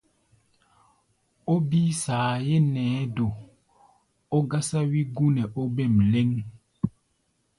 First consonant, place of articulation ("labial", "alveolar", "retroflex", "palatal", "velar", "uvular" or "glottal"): labial